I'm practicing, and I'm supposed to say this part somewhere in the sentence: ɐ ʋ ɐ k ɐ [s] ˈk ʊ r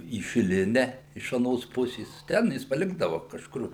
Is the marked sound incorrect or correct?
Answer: incorrect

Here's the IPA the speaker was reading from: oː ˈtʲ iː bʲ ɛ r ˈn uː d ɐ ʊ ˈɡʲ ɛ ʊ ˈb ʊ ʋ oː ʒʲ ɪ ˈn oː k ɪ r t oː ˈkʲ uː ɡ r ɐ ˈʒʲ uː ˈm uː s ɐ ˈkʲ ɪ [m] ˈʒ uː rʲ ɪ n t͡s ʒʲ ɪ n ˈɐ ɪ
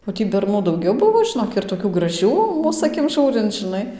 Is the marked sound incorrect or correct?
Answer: correct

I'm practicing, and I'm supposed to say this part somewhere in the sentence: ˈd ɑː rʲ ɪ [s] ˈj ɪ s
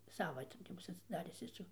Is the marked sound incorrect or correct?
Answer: correct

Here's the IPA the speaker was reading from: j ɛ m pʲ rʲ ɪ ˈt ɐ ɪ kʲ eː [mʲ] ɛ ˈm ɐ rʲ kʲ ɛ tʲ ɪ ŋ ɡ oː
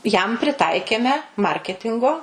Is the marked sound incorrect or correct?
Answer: correct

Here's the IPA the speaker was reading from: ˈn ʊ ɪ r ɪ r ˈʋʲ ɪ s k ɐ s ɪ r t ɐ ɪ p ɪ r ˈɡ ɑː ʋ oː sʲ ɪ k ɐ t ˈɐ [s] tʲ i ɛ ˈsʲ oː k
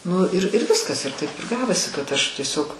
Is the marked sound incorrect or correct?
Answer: incorrect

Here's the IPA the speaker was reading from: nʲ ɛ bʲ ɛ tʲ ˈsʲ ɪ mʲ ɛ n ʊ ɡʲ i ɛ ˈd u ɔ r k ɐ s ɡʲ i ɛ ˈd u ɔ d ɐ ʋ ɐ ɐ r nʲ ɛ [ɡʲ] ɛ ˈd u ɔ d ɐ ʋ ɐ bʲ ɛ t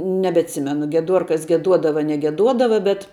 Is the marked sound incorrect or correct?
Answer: correct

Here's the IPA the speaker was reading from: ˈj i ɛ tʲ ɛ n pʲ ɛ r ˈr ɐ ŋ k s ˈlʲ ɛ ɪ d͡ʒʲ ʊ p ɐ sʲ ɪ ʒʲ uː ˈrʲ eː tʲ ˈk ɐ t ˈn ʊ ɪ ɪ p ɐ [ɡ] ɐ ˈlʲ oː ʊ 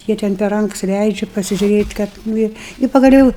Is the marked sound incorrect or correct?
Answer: correct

